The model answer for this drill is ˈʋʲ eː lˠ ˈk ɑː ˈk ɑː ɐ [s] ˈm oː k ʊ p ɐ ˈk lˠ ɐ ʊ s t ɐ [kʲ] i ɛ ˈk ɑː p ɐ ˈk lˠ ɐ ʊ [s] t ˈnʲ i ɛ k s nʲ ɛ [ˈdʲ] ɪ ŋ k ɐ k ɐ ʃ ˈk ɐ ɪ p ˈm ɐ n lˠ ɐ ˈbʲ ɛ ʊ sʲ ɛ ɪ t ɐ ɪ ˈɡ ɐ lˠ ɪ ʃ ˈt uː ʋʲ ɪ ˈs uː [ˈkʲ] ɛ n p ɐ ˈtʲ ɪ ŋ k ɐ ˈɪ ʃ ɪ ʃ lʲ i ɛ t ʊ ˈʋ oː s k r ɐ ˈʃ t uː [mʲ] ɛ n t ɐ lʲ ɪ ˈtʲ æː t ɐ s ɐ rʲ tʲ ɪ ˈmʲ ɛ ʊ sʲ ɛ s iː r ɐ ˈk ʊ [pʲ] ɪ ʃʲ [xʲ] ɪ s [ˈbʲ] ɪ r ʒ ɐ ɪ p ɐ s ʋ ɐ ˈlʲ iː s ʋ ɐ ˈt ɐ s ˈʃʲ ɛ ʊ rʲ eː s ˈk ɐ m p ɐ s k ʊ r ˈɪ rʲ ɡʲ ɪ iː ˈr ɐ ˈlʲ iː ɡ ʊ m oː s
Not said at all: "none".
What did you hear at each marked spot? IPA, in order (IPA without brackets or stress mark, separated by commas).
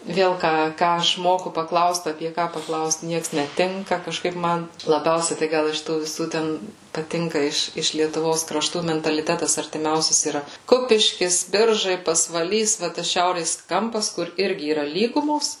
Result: ʃ, pʲ, s, tʲ, tʲ, mʲ, pʲ, kʲ, bʲ